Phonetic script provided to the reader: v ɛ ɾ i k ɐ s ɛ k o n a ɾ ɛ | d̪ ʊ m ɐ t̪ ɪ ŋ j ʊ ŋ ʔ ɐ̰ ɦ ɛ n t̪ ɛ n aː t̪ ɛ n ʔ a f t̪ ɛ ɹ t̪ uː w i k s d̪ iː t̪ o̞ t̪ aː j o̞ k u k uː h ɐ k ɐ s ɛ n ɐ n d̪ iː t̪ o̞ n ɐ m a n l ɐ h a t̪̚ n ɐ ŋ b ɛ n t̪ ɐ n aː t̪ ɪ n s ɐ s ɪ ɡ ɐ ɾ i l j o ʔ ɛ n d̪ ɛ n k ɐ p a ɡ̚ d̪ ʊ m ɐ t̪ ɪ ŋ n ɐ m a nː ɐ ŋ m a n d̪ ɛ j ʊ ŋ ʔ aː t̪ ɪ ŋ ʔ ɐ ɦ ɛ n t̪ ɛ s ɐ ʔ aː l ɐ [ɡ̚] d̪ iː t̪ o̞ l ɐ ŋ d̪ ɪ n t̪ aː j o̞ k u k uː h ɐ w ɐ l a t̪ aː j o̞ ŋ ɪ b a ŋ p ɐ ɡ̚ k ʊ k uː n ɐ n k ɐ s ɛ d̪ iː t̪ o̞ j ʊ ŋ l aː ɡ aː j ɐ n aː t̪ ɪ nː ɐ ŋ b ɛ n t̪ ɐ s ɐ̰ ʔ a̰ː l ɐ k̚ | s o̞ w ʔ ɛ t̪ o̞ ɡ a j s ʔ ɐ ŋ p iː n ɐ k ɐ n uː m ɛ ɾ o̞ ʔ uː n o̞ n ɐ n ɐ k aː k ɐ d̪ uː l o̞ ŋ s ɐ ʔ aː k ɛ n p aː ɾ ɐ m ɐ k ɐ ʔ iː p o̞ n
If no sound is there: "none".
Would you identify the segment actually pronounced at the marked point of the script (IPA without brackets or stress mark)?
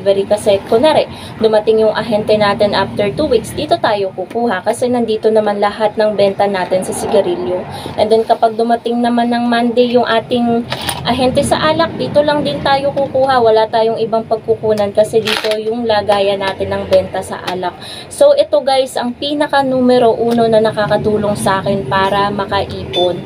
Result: k̚